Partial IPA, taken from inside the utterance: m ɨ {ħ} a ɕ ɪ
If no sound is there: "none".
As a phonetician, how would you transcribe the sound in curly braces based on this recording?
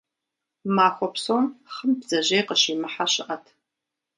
ħ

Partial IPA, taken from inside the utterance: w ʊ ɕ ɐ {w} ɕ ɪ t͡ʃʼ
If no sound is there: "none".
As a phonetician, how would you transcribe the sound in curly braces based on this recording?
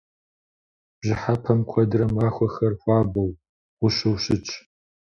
w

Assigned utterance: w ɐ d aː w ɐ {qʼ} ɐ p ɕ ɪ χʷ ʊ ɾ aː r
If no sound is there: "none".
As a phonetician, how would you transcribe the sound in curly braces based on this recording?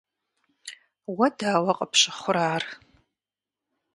qʼ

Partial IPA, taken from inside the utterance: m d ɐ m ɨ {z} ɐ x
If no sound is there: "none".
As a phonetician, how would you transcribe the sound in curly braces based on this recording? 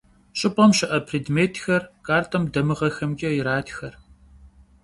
ʁ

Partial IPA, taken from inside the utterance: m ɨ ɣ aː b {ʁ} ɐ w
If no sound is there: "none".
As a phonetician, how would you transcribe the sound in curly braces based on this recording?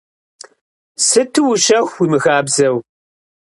z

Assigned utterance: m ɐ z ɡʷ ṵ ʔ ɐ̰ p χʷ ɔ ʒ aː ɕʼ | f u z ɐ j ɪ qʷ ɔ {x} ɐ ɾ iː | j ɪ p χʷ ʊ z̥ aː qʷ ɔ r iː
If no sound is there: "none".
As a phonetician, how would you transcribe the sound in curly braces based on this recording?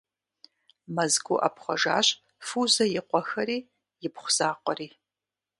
x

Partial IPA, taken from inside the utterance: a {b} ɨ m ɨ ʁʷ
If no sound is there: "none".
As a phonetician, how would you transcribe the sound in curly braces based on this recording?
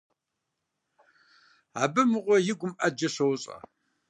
b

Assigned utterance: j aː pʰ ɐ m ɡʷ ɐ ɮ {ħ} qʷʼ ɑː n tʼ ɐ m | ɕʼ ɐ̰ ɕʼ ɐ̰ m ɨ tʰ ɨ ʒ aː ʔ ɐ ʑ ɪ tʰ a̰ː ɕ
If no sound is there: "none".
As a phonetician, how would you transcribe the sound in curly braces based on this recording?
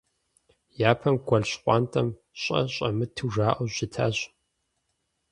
ɕ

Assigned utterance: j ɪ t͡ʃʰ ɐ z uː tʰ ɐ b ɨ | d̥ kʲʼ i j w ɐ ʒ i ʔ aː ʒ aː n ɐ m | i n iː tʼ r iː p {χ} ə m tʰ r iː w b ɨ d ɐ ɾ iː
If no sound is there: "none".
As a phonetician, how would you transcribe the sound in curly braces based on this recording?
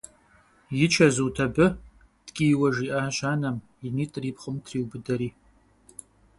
χ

